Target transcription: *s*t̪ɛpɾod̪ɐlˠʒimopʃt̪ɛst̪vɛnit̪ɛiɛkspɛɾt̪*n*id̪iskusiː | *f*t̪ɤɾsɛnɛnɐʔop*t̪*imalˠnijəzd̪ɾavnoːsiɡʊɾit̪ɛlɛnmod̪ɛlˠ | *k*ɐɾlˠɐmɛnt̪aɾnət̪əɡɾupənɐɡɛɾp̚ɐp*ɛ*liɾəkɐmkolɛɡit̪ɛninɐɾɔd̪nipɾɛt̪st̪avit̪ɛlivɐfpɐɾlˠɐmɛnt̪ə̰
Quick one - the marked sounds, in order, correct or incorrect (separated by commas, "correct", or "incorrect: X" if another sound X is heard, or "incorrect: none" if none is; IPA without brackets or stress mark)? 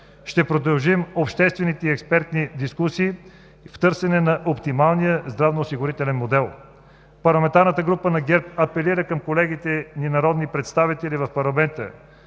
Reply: incorrect: ʃ, correct, correct, correct, incorrect: p, correct